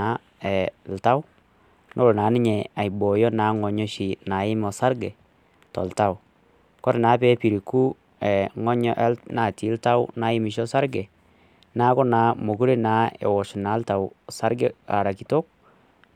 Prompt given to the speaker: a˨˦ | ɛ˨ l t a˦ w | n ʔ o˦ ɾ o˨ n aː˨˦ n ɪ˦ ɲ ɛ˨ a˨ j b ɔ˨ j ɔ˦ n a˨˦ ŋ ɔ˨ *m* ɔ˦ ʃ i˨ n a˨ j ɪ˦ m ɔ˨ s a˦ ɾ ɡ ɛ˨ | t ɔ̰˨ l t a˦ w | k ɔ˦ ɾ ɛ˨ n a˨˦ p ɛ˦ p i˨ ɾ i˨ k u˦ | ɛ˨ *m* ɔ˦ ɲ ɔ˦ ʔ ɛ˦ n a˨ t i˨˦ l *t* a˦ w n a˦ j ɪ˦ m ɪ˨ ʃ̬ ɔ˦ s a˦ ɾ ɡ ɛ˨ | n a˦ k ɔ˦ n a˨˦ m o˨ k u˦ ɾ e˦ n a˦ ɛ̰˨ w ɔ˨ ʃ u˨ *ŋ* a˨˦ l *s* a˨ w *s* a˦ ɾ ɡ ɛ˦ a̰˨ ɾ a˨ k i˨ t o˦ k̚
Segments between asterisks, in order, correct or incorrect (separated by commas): incorrect, incorrect, correct, incorrect, incorrect, correct